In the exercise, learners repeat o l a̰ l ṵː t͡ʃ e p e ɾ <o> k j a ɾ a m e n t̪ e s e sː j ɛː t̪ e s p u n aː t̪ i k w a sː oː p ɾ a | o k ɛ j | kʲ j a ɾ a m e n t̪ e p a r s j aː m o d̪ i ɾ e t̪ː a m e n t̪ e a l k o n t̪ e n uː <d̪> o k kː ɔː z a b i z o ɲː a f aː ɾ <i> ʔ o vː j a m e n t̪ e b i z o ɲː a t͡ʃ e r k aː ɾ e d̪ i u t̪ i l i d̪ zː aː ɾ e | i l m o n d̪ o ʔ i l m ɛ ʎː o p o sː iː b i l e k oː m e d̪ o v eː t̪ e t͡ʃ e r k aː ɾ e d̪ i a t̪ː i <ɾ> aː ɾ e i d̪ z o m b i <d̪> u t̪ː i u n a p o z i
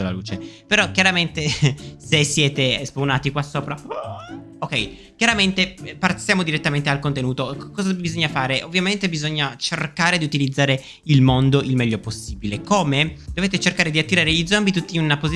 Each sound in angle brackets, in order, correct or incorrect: incorrect: ɔ, incorrect: t̪, incorrect: e, correct, incorrect: t̪

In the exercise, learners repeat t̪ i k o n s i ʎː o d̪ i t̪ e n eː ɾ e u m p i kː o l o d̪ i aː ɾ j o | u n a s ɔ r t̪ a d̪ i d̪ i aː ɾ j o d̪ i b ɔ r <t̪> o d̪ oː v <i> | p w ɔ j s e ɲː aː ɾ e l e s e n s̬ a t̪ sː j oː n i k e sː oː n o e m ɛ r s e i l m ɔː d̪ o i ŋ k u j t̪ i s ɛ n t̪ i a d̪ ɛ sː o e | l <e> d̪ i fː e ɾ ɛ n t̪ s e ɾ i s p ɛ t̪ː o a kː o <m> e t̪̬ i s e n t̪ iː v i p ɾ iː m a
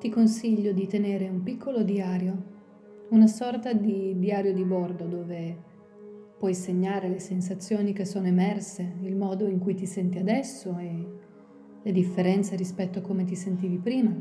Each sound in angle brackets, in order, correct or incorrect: incorrect: d̪, incorrect: e, correct, correct

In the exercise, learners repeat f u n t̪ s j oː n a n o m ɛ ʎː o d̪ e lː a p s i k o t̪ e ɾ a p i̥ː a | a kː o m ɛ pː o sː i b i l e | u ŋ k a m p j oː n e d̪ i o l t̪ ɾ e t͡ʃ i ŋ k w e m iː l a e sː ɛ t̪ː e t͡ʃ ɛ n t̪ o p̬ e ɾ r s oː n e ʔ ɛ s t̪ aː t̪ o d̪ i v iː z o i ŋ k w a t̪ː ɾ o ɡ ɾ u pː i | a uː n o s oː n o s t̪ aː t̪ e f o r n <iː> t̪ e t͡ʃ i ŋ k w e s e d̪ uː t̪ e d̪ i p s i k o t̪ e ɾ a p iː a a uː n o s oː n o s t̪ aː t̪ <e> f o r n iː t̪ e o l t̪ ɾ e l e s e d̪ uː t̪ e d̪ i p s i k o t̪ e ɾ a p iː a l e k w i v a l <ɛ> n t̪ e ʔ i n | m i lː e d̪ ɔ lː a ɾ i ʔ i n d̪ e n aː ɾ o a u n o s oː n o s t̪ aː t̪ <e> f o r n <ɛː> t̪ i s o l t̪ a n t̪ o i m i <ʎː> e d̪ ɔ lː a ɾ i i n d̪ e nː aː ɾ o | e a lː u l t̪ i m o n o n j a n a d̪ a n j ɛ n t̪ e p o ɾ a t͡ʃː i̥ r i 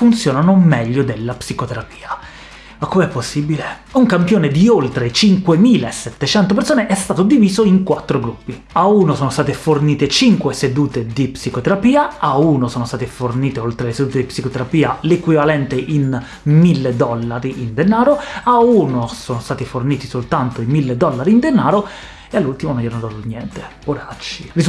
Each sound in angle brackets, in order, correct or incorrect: correct, correct, correct, incorrect: i, incorrect: iː, incorrect: lː

